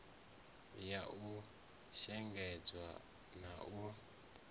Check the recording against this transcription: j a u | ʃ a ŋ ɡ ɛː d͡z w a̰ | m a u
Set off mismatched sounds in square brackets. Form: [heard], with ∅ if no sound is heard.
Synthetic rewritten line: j a u | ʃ [ɛ] ŋ ɡ [ɛ] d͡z w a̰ | [n] a u